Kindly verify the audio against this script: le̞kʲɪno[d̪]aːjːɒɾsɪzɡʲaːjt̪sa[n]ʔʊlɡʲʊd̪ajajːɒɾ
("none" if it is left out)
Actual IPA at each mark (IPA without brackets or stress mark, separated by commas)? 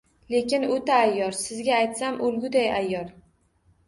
t̪, m